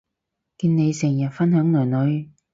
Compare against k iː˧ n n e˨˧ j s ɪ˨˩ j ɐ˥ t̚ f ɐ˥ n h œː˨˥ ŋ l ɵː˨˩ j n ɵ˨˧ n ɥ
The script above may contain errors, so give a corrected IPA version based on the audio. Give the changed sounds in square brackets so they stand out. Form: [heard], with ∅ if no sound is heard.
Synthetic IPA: k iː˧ n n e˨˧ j s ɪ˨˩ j [ɐ˨˩] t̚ f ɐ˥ n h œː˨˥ ŋ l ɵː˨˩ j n ɵ˨˧ [∅] ɥ